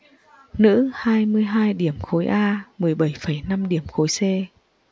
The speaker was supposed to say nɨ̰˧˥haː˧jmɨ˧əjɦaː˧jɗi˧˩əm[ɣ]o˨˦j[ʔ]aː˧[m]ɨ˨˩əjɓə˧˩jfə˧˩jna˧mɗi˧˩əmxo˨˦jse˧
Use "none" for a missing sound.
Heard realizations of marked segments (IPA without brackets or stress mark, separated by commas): x, ʔ, m